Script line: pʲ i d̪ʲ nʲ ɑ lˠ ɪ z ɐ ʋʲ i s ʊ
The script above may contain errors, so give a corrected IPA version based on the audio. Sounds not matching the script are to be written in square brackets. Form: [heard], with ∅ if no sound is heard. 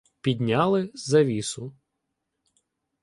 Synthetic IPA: pʲ i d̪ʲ nʲ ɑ lˠ ɪ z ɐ ʋʲ i s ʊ